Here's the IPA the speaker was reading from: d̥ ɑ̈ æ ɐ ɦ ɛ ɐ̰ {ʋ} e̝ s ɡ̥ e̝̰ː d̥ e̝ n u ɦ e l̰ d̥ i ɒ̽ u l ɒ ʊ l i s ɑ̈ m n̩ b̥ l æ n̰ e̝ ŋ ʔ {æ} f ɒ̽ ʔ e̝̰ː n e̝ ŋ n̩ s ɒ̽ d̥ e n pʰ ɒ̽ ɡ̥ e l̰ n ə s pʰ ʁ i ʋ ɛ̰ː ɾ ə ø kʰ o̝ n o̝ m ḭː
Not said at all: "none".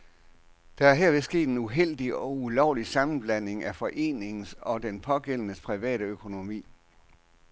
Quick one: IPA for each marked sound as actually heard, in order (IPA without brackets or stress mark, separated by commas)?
ʋ, æ